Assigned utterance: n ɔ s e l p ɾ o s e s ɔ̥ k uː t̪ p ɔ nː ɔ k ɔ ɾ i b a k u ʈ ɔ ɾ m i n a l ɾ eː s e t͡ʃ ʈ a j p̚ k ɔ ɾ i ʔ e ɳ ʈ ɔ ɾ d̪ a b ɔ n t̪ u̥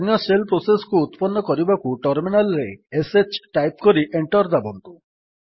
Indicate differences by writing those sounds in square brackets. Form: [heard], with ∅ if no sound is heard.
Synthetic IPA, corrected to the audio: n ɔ s e l p ɾ o s e s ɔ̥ k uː t̪ p ɔ nː ɔ k ɔ ɾ i b a k u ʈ ɔ ɾ m i n a l ɾ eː s e t͡ʃ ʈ a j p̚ k ɔ ɾ i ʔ e ɳ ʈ ɔ ɾ d̪ a b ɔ n t̪ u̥